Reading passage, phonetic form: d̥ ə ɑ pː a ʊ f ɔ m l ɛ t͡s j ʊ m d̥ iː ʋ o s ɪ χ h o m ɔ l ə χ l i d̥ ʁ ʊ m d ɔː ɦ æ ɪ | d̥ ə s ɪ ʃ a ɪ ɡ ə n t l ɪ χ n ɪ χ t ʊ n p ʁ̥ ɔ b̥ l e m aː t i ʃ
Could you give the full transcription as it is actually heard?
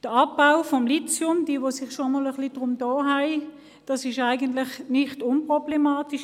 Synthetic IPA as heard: d̥ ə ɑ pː a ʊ f ɔ m l i t͡s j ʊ m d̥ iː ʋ o s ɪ χ ʃ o m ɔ l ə χ l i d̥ ʁ ʊ m d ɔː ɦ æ ɪ | d̥ ɑ s ɪ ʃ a ɪ ɡ ə n t l ɪ χ n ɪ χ t ʊ n p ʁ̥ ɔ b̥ l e m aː t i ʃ